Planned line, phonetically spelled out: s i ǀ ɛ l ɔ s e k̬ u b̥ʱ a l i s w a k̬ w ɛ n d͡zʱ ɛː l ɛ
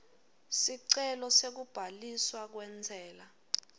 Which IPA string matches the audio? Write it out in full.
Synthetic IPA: s i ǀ ɛ l ɔ s e k̬ u b̥ʱ a l i s w a k̬ w ɛ n d͡zʱ ɛː l a